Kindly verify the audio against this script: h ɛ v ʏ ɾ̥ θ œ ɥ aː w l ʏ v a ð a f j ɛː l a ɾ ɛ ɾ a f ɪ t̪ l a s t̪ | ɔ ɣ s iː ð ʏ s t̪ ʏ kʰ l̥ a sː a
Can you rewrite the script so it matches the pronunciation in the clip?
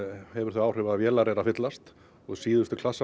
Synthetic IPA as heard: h ɛ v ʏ ɾ̥ θ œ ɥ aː w r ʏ v a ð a v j ɛː l a ɾ ɛ ɾ a f ɪ t̪ l a s t̪ | ɔ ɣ s iː ð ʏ s t̪ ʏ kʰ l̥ a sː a

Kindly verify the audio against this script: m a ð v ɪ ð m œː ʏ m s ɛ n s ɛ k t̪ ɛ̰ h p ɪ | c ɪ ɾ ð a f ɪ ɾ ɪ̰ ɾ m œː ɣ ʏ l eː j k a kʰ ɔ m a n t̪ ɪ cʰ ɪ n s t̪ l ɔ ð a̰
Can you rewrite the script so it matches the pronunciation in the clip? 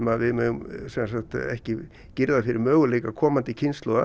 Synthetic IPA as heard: m a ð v ɪ ð m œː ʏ m s ɛ n s a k t̪ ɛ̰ h c ɪ | c ɪ ɾ ð a f ɪ ɾ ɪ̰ ɾ m œː ɣ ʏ l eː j k a kʰ ɔː m a n t̪ ɪ cʰ ɪ n s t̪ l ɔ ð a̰

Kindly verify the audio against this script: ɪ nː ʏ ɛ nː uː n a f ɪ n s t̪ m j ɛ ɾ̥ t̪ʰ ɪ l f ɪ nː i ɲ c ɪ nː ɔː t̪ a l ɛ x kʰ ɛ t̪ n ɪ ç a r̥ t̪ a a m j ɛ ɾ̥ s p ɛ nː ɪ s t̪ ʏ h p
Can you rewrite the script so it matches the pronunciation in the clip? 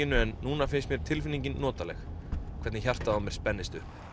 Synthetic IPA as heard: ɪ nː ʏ ɛ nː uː n a f ɪ n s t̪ m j ɛ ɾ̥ t̪ʰ ɪ l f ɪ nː i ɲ c ɪ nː ɔː t̪ a l ɛ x kʰ ɛ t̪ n ɪ ç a r̥ t̪ a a m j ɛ ɾ̥ s p ɛ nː ɪ s t̪ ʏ h p

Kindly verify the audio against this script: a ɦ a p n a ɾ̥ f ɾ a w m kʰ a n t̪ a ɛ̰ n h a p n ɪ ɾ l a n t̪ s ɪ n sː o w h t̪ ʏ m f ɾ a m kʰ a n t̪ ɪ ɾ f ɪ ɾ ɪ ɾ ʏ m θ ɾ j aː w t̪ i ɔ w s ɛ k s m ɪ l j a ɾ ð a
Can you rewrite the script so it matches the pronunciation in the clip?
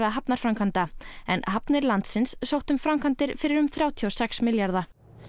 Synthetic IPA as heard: a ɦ a p n a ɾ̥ f ɾ a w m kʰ a n t̪ a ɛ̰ n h a p n ɪ ɾ l a n t̪ s ɪ n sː o w h t̪ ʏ m f ɾ a m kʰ a n t̪ ɪ ɾ f ɪ ɾ ɪ ɾ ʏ m θ ɾ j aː w t̪ʰ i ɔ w s ɛ k s m ɪ l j a ɾ ð a

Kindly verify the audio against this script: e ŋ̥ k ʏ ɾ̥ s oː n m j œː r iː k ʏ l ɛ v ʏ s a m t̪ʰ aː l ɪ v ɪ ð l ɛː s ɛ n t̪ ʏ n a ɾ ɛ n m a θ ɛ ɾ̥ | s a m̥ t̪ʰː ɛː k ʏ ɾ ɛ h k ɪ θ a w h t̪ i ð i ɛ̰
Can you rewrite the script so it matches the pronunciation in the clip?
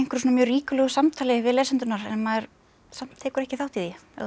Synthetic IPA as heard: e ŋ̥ k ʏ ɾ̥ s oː n m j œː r iː k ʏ l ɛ ɣ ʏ s a m t̪ʰ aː l ɪ v ɪ ð l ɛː s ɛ n t̪ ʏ n a ɾ ɛ n m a ð ɛ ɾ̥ | s a m̥ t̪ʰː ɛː k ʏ ɾ ɛ h c ɪ θ a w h t̪ i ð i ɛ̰

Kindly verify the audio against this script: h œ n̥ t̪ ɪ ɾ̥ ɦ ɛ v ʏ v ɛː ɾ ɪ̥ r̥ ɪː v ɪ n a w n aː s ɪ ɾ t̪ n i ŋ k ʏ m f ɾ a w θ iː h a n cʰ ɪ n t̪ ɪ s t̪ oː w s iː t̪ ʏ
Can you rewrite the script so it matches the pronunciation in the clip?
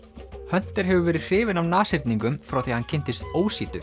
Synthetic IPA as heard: h œ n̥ t̪ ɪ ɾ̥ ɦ ɛ v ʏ v ɛː ɾ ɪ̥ r̥ ɪː v ɪ n a w n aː s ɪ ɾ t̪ n i ŋ k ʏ m f ɾ a w θ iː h a n cʰ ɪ n t̪ ɪ s t̪ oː w s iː t̪ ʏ

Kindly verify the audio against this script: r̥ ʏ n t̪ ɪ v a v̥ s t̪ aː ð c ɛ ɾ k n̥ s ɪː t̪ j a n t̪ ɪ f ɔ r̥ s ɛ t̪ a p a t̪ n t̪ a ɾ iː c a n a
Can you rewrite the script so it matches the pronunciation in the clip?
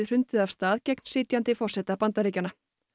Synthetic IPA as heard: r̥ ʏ n t̪ ɪ ð a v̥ s t̪ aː ð c ɛ k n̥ s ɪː t̪ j a n t̪ ɪ f ɔ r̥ s ɛ t̪ a p a n t̪ a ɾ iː c a n a

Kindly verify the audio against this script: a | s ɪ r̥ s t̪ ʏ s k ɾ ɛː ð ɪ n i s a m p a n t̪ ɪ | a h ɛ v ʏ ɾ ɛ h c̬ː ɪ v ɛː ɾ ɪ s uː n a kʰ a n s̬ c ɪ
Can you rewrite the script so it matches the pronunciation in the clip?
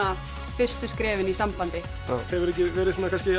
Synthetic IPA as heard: a | f ɪ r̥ s t̪ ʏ s k ɾ ɛː v ɪ n i s a m p a n t̪ ɪ | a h ɛ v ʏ ɾ ɛ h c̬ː ɪ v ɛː ɾ ɪ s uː n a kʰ a n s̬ c ɪ

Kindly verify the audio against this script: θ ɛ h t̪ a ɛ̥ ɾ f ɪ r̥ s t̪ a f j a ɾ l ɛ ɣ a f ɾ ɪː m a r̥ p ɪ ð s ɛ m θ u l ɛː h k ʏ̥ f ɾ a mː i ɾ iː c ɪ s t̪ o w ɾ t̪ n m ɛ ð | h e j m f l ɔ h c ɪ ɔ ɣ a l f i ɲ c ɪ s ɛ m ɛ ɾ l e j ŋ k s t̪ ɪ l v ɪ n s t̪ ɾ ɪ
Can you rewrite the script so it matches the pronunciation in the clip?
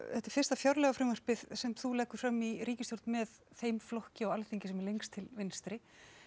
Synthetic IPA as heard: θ ɛ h t̪ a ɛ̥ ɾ f ɪ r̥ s t̪ a f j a ɾ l ɛ ɣ a f ɾ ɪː m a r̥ p ɪ ð s ɛ m θ u l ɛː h k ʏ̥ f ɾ a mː i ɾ iː c ɪ s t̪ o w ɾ t̪ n m ɛ ð | θ e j m f l ɔ h c ɪ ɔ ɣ a l θ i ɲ c ɪ s ɛ m ɛ ɾ l e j ŋ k s t̪ʰ ɪ l v ɪ n s t̪ ɾ ɪ

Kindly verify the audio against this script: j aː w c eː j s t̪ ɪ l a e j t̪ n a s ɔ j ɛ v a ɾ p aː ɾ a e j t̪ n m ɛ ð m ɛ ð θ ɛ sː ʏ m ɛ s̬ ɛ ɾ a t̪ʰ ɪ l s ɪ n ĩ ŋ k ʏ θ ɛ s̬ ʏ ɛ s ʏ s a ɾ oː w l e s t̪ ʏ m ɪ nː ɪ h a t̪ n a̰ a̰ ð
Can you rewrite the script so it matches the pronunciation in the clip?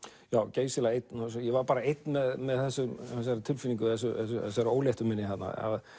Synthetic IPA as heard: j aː w c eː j s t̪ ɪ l a e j t̪ n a s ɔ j ɛ v a ɾ p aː ɾ a e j t̪ n m ɛ ð m ɛ ð θ ɛ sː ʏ m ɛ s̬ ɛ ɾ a t̪ʰ ɪ l f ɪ n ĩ ŋ k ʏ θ ɛ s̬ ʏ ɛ s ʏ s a ɾ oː w l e h t̪ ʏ m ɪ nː ɪ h a t̪ n a̰ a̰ ð

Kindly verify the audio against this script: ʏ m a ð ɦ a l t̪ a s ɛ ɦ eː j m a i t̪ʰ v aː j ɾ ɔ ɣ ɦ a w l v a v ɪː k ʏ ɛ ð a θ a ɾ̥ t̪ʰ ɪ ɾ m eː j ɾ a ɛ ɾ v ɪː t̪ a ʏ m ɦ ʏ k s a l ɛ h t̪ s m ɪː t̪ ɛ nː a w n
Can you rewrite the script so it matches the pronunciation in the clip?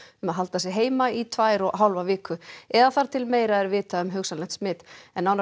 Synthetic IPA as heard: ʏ m a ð ɦ a l t̪ a s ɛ ɦ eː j m a i t̪ʰ v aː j ɾ ɔ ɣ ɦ a w l v a v ɪː k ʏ ɛ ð a θ a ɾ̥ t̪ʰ ɪ l m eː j ɾ a ɛ ɾ v ɪː t̪ a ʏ m ɦ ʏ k s a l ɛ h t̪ s m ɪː t̪ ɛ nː a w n

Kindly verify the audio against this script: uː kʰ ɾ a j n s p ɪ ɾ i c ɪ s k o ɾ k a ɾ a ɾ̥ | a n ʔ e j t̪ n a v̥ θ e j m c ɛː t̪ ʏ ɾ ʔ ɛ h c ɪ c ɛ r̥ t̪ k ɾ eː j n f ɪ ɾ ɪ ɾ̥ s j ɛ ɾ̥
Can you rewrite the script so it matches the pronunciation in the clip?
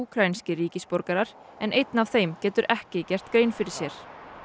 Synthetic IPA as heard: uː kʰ ɾ a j n s c ɪ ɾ iː c ɪ s p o ɾ k a ɾ a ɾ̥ | ɛ n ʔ e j t̪ n a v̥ θ e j m c ɛː t̪ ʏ ɾ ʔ ɛ h c ɪ c ɛ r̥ t̪ k ɾ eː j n f ɪ ɾ ɪ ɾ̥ s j ɛ ɾ̥

